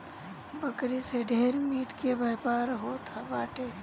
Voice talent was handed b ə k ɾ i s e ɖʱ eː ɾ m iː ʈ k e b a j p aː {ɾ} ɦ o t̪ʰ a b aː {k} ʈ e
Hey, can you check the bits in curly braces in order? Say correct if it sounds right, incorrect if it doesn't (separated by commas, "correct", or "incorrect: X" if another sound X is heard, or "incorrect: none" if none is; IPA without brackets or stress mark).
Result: correct, incorrect: none